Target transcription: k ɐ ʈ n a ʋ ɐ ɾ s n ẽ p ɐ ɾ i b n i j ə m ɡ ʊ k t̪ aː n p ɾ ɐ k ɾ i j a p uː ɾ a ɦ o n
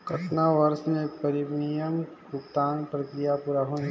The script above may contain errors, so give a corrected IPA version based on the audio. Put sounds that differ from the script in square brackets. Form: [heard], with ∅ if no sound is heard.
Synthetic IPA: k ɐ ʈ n a ʋ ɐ ɾ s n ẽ p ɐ ɾ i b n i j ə m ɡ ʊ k t̪ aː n p ɾ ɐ k ɾ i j a p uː ɾ a ɦ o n